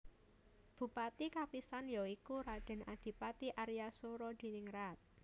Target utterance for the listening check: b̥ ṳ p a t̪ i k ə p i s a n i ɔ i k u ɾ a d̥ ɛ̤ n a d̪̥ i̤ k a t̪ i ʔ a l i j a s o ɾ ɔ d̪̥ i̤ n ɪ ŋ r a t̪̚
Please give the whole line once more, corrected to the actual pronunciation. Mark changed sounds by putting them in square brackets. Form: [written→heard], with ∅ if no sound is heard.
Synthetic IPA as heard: b̥ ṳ p a t̪ i k [ə→a] p i s a n [i→j] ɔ i k u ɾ a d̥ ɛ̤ n a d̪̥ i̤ [k→p] a t̪ i ʔ a [l→ɾ] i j a s o ɾ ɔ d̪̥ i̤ n ɪ ŋ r a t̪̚

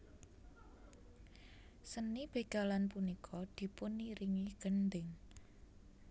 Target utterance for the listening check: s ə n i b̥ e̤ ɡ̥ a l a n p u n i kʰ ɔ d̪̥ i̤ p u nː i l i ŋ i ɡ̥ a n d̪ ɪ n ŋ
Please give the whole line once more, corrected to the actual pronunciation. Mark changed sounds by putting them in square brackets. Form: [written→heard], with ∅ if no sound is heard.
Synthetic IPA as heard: s ə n i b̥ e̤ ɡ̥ a l a n p u n i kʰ ɔ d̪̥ i̤ p [u→ʊ] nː i [l→ɾ] i ŋ i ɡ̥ [a→ə] n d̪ ɪ [n→∅] ŋ

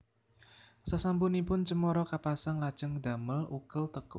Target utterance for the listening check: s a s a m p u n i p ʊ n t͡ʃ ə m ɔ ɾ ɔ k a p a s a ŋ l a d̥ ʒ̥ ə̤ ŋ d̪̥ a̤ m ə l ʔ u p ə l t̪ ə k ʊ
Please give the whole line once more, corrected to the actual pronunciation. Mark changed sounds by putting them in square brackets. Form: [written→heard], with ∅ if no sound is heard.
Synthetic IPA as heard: s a s a m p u n i p ʊ n t͡ʃ ə m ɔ ɾ ɔ k a p a s a ŋ l a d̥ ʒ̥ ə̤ ŋ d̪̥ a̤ m ə l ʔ u [p→k] ə l t̪ ə k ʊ

